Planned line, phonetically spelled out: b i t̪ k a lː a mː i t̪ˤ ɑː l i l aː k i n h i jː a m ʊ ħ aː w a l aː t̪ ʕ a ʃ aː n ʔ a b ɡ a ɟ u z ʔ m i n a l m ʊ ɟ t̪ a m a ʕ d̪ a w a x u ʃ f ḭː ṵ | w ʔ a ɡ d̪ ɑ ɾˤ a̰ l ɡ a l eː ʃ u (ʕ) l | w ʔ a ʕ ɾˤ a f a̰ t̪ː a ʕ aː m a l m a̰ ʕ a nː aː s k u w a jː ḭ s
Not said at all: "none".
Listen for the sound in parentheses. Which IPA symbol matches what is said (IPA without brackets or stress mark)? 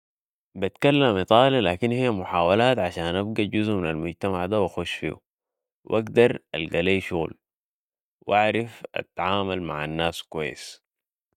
ɣ